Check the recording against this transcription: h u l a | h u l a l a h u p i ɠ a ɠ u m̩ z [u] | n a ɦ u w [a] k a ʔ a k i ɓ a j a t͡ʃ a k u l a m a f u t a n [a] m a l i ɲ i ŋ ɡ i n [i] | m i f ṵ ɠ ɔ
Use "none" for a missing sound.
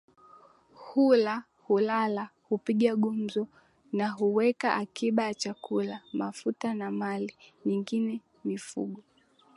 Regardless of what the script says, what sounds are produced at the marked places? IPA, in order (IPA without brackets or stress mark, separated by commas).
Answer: ɔ, ɛ, a, ɛ